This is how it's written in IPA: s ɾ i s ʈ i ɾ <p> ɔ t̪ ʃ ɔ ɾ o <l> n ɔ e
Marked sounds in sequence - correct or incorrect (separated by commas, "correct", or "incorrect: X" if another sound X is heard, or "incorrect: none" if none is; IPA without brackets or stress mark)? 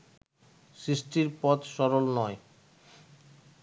correct, correct